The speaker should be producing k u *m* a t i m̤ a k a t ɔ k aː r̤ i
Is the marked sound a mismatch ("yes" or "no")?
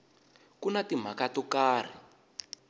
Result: yes